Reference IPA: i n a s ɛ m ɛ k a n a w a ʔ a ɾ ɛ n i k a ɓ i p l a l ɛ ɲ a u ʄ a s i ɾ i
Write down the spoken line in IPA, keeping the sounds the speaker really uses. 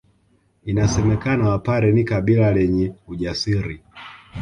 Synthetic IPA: i n a s ɛ m ɛ k a n a w a p a ɾ ɛ n i k a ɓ i l a l ɛ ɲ ɛ u ʄ a s i ɾ i